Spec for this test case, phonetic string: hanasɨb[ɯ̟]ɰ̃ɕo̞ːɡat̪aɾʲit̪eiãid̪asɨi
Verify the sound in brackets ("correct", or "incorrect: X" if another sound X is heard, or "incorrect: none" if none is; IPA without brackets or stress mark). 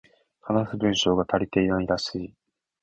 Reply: incorrect: ɯ̟̃